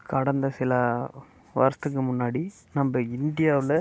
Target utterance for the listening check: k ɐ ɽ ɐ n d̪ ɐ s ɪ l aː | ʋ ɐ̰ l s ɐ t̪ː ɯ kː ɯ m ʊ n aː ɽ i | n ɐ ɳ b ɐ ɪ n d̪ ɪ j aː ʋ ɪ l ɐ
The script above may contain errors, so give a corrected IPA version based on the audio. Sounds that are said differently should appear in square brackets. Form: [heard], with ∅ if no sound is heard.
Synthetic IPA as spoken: k ɐ ɽ ɐ n d̪ ɐ s ɪ l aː | ʋ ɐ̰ [ɾ] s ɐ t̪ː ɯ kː ɯ m ʊ [nː] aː ɽ i | n ɐ [m] b ɐ ɪ n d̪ ɪ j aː ʋ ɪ l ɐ